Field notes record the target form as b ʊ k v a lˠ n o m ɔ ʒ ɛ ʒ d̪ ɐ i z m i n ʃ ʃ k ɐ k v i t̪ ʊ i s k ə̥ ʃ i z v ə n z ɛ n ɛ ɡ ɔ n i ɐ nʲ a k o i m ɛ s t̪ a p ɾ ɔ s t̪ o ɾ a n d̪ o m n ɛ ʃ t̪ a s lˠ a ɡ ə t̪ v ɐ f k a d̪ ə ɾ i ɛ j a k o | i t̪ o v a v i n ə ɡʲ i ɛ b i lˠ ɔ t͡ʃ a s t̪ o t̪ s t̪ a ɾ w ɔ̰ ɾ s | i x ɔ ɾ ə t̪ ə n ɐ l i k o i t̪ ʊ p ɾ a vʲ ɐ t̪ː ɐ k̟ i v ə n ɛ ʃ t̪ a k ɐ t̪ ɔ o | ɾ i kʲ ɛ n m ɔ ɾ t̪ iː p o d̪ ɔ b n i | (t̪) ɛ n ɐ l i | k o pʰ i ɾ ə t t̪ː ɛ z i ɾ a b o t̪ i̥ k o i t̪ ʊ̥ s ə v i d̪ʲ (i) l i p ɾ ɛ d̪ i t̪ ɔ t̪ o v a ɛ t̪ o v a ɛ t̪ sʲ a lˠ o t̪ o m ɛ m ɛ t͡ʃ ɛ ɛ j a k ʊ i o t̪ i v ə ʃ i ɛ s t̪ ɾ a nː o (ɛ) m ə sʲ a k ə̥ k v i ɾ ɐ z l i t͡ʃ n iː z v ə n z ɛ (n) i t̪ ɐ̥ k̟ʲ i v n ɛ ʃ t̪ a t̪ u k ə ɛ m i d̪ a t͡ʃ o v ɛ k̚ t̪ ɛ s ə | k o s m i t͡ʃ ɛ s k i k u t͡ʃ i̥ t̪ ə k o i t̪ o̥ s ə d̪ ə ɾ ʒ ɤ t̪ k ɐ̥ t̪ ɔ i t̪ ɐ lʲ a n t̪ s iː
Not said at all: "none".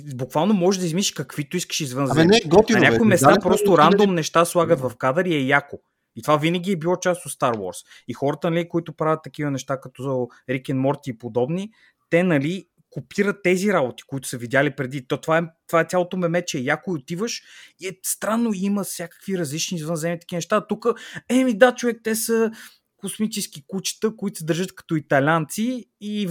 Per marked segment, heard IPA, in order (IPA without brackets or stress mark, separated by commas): t̪, a, i, m